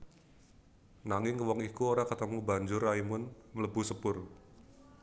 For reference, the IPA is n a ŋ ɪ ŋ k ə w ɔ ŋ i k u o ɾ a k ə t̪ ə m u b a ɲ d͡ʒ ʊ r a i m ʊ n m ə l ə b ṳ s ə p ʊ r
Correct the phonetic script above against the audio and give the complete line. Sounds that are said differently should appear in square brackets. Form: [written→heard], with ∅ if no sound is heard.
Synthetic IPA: n a ŋ ɪ ŋ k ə w ɔ ŋ i k u o ɾ a k ə t̪ ə m u b a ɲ d͡ʒ ʊ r a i m ʊ n m ə l ə b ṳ s ə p ʊ r